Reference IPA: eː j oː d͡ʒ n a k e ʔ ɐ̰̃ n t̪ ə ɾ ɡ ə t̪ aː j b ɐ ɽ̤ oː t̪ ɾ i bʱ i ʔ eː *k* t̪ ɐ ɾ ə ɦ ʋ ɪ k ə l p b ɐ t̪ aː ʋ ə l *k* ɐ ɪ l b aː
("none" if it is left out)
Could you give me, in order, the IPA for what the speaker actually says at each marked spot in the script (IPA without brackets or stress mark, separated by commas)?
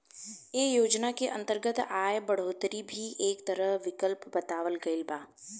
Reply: k, ɡ